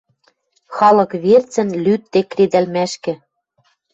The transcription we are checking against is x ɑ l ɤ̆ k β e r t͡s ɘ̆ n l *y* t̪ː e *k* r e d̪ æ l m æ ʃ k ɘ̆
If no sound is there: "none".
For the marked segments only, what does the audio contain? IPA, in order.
y, k

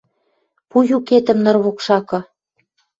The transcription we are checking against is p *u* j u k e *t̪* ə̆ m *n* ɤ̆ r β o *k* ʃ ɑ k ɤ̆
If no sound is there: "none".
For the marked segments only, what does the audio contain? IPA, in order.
u, t̪, n, k

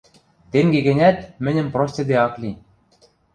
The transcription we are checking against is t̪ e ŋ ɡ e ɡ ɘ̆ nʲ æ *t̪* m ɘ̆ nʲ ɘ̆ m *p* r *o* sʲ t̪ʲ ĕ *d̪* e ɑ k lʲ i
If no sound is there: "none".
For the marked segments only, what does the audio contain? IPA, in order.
t̪, p, o, d̪

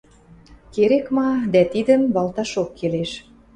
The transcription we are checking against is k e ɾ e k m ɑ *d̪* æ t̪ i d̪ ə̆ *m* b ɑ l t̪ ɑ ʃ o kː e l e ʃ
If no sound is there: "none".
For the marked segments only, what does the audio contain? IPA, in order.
d̪, m

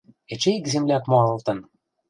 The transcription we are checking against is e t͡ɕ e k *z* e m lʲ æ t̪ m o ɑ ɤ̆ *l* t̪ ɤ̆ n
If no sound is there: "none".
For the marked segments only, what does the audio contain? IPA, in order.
z, l

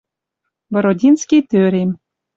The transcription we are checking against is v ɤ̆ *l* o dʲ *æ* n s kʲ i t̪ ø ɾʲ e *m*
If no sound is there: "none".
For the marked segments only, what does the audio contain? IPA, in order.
ɾ, i, m

